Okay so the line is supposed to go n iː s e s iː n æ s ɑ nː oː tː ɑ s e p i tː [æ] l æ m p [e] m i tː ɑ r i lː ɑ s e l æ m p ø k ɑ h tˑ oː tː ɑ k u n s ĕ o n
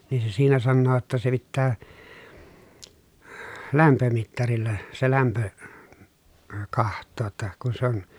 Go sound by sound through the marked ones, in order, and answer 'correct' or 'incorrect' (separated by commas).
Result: incorrect, incorrect